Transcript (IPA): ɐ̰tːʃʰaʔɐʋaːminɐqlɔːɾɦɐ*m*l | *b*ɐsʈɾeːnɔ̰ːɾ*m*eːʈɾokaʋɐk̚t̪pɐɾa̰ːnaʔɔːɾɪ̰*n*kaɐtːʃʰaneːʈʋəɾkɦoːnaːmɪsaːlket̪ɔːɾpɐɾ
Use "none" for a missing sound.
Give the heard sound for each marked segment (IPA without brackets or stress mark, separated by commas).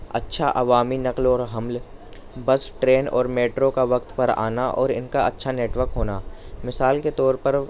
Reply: m, b, m, n